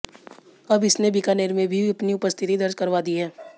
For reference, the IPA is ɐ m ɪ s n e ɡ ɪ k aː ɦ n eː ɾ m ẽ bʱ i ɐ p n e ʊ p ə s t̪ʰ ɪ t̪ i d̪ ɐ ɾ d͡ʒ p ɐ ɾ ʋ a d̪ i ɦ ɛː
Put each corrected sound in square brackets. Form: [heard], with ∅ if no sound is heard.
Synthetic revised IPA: ɐ [b] ɪ s n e [b] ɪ k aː [∅] n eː ɾ m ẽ bʱ i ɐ p n [i] ʊ p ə s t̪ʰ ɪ t̪ i d̪ ɐ ɾ d͡ʒ [k] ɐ ɾ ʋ a d̪ i ɦ ɛː